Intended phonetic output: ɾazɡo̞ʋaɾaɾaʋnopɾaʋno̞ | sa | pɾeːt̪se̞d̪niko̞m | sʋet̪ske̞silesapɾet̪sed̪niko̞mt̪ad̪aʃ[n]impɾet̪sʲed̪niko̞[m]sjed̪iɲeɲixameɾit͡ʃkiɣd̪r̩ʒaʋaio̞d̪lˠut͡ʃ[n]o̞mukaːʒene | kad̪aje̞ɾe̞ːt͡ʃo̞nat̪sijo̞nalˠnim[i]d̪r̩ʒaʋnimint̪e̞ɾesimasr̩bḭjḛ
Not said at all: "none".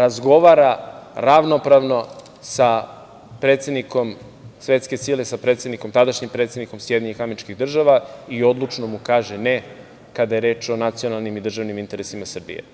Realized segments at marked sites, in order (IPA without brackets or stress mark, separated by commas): ɲ, m, n, i